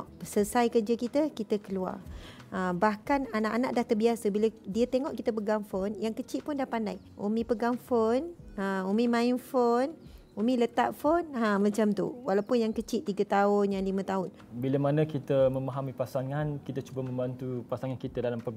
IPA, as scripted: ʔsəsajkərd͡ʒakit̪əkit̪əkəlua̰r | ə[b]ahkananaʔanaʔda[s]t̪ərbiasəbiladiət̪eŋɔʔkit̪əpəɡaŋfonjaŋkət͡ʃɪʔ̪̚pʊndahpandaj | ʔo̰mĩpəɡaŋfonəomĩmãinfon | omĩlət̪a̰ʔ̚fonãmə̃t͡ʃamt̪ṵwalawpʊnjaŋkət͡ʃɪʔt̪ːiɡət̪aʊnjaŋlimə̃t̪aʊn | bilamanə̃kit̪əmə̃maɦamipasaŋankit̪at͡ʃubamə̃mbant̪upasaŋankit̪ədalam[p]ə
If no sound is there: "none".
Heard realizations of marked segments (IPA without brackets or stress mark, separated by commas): b, h, p